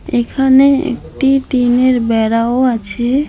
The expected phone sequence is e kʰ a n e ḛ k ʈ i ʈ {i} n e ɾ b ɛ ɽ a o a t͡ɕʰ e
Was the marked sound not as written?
no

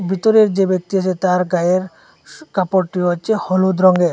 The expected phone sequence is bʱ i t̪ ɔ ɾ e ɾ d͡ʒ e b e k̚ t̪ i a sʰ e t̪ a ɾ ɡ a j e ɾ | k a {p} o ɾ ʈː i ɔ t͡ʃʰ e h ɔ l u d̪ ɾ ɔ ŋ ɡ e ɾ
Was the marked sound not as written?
no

